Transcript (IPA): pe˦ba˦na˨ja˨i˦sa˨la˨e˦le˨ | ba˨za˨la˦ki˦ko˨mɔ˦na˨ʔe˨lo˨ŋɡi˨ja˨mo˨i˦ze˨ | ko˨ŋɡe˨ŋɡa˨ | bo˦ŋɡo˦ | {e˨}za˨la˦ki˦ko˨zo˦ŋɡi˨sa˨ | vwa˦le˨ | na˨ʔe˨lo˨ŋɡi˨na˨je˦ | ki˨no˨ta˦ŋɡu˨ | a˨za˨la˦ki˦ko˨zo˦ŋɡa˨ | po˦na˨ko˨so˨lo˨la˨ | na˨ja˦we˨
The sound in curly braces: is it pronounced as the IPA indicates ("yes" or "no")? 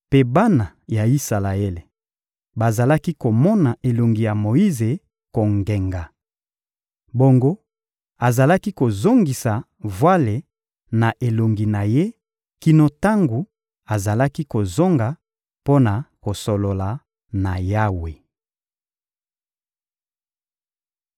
no